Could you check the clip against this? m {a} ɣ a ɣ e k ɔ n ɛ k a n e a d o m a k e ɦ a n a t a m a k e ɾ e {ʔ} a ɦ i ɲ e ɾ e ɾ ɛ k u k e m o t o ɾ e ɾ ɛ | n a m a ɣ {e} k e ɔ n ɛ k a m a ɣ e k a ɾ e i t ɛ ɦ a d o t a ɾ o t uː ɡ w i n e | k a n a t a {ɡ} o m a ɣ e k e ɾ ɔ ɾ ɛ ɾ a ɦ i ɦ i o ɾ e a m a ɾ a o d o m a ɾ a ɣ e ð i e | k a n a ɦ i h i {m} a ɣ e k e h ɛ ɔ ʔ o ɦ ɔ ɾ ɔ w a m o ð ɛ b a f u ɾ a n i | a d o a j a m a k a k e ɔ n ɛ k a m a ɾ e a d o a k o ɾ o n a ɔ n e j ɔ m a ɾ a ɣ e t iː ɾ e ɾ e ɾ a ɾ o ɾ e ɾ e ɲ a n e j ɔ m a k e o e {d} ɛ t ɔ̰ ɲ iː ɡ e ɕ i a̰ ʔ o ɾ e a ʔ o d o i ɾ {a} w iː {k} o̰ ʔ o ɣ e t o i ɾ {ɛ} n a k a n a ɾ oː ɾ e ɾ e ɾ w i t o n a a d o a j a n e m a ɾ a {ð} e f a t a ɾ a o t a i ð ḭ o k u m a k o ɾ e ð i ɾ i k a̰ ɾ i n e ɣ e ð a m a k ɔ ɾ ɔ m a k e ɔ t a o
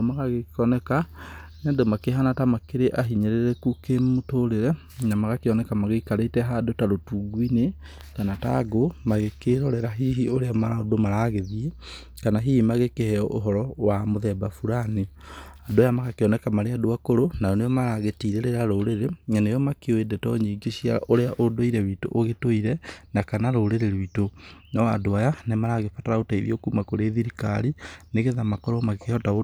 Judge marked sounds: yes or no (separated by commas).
yes, yes, no, yes, yes, yes, no, no, yes, no